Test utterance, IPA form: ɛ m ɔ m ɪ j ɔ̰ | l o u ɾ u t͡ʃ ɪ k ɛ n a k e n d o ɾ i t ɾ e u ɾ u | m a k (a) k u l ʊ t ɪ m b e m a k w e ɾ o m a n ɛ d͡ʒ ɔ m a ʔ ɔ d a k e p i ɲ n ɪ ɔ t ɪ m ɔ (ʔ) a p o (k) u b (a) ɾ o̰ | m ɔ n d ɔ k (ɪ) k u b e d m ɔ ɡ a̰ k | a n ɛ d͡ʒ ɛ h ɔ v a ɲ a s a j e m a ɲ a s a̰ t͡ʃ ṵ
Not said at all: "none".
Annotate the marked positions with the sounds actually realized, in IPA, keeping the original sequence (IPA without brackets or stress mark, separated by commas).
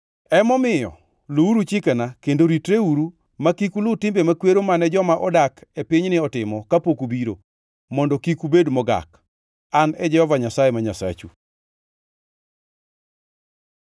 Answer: i, k, k, i, i